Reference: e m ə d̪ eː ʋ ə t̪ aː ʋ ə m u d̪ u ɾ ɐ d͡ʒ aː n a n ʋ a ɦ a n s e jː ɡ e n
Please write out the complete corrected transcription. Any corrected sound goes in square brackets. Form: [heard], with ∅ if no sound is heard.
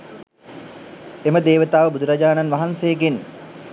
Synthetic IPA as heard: e m ə d̪ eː ʋ ə t̪ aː ʋ ə [b] u d̪ u ɾ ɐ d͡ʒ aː n a n ʋ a ɦ a n s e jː ɡ e n

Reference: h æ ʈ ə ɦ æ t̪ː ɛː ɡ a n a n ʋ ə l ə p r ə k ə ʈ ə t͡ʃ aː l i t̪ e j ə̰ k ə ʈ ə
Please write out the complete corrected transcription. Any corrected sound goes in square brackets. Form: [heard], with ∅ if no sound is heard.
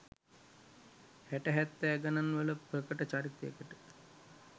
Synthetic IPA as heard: h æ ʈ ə ɦ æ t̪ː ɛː ɡ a n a n ʋ ə l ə p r ə k ə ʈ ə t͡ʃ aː [ɾ] i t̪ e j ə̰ k ə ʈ ə

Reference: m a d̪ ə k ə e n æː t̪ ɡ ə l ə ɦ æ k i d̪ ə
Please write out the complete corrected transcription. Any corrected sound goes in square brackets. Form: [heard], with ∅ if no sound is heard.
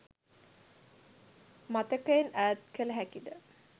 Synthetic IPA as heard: m a [t̪] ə k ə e n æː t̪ [k] ə l ə ɦ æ k i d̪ ə

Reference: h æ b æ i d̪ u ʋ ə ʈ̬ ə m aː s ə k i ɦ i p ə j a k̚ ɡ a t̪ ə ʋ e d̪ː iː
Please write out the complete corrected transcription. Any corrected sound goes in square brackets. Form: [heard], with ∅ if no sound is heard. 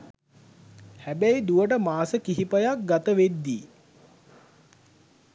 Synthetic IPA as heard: h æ b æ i d̪ u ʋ ə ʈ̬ ə m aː s ə k i ɦ i p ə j a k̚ ɡ a t̪ ə ʋ e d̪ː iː

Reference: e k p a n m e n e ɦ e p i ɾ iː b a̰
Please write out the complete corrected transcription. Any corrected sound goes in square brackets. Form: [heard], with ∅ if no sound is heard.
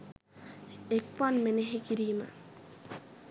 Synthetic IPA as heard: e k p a n m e n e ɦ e [k] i ɾ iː [m] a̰

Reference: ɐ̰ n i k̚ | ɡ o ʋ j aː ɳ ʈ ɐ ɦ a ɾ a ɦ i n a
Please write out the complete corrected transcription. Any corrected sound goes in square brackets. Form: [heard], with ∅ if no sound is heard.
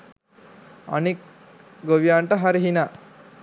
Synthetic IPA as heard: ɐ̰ n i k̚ | ɡ o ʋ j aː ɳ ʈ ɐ ɦ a ɾ [i] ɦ i n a

